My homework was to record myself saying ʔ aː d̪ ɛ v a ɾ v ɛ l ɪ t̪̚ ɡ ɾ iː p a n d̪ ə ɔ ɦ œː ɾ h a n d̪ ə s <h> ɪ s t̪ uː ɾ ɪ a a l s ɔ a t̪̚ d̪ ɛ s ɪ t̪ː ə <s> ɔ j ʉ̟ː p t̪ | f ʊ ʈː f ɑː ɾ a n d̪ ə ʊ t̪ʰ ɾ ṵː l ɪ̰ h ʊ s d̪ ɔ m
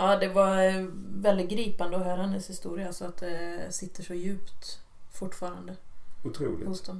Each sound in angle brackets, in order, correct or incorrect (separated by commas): correct, incorrect